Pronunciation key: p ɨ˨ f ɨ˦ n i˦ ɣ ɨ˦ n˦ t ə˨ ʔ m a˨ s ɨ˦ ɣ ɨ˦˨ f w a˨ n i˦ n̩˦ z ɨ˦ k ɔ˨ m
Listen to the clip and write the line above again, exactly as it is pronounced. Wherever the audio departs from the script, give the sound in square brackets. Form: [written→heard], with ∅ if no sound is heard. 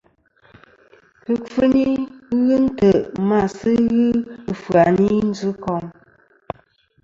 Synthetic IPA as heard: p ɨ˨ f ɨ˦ n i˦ ɣ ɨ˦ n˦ t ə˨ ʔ m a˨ s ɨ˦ ɣ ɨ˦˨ f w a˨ n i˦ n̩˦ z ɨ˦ k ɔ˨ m